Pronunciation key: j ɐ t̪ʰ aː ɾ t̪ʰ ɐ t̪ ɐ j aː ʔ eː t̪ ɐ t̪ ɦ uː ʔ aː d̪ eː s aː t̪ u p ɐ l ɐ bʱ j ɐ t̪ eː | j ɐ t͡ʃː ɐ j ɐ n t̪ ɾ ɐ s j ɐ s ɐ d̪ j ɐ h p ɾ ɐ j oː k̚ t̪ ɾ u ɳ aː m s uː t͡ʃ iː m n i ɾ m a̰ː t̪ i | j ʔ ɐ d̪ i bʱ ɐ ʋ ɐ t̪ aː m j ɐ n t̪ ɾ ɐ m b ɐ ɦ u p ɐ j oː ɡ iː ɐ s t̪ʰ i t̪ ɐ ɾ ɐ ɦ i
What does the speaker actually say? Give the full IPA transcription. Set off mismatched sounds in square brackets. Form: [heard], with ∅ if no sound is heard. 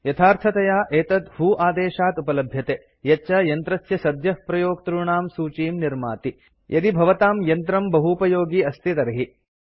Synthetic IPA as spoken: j ɐ t̪ʰ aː ɾ t̪ʰ ɐ t̪ ɐ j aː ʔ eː t̪ ɐ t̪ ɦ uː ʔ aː d̪ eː [ʃ] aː t̪ u p ɐ l ɐ bʱ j ɐ t̪ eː | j ɐ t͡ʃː ɐ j ɐ n t̪ ɾ ɐ s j ɐ s ɐ d̪ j ɐ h p ɾ ɐ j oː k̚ t̪ ɾ u ɳ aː m s uː t͡ʃ iː m n i ɾ m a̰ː t̪ i | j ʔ ɐ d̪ i bʱ ɐ ʋ ɐ t̪ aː m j ɐ n t̪ ɾ ɐ m b ɐ ɦ u p ɐ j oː ɡ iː ɐ s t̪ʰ i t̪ ɐ ɾ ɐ ɦ i